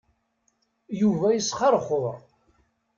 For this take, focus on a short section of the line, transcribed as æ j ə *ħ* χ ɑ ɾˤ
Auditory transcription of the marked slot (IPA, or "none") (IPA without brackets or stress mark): s